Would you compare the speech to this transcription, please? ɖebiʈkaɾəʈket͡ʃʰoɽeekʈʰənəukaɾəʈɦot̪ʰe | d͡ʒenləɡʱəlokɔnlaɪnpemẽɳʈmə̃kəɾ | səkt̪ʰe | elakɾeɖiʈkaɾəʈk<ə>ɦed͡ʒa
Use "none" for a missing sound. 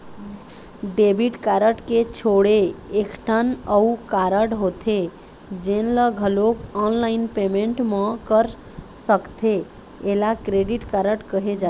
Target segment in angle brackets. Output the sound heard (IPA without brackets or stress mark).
ə